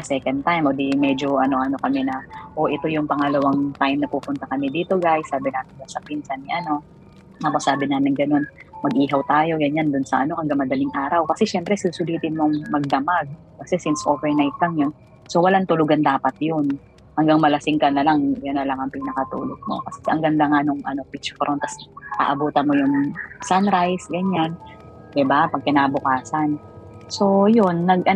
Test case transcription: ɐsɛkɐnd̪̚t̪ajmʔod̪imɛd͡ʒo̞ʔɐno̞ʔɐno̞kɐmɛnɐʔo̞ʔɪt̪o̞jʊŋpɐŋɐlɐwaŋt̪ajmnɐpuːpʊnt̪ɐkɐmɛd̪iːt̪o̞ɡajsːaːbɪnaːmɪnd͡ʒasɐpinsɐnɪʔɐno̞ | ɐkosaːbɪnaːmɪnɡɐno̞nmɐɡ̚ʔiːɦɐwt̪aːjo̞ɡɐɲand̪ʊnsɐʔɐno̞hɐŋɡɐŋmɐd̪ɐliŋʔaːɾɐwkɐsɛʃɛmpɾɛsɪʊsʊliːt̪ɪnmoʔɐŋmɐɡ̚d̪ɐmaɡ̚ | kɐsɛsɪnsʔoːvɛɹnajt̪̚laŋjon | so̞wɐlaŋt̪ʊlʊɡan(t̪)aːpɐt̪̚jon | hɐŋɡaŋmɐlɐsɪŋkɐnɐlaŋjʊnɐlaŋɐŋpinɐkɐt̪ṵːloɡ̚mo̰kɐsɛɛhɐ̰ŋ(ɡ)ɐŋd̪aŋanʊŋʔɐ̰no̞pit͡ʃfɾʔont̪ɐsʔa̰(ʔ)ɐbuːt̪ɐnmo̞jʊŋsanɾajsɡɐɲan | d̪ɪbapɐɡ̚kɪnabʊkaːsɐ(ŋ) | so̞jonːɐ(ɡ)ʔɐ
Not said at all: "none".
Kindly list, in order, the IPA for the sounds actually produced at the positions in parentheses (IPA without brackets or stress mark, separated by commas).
d̪, ɡ, ʔ, n, ɡ